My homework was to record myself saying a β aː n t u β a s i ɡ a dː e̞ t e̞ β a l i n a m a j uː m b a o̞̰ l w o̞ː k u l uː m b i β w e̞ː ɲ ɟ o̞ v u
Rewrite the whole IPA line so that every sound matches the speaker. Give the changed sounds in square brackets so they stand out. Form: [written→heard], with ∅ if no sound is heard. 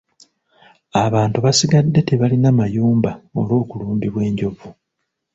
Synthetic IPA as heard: a β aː n t u β a s i ɡ a dː e̞ t e̞ β a l i n a m a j uː m b a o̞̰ l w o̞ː k u l uː m b i β w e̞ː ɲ ɟ o̞ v u